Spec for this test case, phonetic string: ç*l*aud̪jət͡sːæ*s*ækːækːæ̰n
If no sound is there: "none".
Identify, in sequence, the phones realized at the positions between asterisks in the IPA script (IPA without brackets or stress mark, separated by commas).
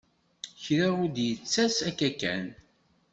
ɾ, s